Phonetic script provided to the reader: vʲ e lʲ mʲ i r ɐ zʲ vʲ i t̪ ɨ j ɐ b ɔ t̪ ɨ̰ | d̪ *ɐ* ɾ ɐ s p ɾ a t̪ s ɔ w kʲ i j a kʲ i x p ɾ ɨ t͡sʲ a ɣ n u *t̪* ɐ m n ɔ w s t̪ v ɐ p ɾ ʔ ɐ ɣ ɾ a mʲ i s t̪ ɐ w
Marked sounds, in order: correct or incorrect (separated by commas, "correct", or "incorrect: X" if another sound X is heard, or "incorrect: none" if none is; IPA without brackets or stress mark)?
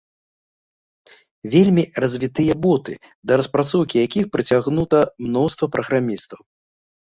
correct, correct